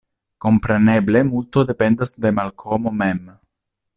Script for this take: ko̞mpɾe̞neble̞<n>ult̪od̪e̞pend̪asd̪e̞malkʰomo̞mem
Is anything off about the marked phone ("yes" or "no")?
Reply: yes